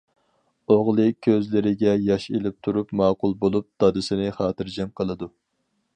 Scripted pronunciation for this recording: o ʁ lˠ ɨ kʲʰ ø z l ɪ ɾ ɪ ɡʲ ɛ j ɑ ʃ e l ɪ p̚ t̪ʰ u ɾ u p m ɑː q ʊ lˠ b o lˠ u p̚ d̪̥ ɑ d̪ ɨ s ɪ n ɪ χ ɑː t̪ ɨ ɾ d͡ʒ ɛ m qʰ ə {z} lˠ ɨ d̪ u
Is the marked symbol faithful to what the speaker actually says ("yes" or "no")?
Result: no